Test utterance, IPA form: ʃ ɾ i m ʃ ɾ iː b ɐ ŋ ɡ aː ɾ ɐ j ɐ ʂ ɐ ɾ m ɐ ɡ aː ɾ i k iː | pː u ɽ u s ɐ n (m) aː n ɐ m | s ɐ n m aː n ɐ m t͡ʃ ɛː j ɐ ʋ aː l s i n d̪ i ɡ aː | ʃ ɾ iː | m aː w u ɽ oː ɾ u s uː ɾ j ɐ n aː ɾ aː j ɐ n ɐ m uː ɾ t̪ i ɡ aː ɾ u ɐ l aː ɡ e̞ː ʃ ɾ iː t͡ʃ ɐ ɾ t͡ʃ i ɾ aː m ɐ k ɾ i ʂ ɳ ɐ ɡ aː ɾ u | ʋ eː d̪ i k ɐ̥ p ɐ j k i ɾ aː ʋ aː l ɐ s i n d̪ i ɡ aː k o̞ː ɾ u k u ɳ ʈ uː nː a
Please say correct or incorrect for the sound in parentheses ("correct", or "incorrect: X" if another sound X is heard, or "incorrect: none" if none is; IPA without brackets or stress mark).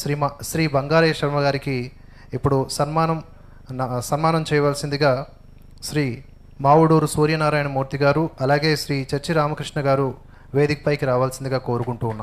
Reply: correct